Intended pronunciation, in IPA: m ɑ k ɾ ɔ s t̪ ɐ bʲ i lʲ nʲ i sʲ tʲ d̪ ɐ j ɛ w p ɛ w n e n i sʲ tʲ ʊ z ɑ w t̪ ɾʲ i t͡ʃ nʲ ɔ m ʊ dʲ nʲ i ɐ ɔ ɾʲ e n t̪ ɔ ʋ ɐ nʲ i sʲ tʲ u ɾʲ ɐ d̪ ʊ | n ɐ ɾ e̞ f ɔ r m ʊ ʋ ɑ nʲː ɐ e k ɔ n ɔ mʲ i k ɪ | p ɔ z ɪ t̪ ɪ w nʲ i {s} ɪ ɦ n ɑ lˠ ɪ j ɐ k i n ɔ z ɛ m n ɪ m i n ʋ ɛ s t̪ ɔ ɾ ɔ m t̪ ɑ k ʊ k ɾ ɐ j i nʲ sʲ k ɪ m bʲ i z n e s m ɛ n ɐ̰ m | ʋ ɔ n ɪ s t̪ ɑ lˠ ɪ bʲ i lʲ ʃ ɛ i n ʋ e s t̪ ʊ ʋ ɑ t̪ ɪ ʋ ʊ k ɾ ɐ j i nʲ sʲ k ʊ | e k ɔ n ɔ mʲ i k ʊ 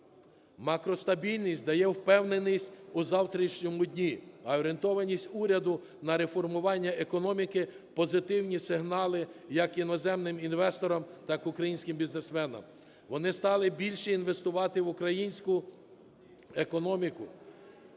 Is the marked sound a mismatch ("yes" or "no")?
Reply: no